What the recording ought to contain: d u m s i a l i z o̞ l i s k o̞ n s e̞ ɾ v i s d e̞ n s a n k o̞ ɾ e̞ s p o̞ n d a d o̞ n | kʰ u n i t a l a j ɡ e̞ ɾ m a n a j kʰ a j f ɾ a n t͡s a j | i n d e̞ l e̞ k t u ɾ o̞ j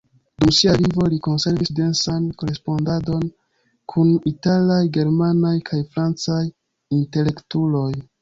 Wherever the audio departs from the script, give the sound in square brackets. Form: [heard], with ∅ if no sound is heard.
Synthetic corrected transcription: d u m s i a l i [v] o̞ l i [∅] k o̞ n s e̞ ɾ v i s d e̞ n s a n k o̞ ɾ e̞ s p o̞ n d a d o̞ n | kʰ u n i t a l a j ɡ e̞ ɾ m a n a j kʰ a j f ɾ a n t͡s a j | i n [t] e̞ l e̞ k t u [l] o̞ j